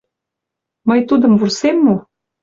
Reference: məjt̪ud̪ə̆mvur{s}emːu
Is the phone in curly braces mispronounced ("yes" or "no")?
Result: no